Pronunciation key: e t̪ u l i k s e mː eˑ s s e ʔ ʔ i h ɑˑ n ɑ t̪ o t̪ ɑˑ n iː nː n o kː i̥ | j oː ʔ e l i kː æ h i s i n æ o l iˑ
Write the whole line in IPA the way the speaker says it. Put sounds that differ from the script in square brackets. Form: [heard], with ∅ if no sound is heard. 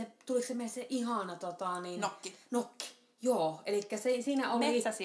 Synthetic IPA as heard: e t̪ u l i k s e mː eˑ s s e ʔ ʔ i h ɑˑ n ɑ t̪ o t̪ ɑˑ n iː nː n o kː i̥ | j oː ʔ e l i kː æ [s] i s [iː] n æ o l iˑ